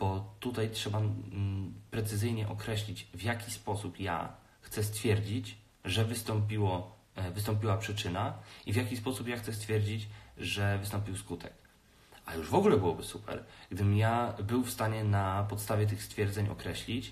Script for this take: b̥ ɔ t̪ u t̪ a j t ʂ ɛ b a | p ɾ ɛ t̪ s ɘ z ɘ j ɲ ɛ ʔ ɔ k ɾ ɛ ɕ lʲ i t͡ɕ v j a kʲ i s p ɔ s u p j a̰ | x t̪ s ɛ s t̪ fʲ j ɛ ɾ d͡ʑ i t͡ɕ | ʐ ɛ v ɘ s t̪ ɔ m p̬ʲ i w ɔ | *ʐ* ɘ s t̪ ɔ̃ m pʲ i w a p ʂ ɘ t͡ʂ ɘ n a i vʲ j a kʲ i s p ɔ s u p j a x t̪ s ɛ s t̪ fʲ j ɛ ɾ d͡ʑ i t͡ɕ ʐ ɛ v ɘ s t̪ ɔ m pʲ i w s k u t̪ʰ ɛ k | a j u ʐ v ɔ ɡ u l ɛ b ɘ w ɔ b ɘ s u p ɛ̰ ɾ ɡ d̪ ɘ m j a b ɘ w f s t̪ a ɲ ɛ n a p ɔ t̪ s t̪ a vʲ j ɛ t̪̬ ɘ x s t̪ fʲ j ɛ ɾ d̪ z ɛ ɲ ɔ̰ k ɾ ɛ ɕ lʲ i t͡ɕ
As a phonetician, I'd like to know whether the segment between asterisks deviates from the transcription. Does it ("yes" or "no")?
yes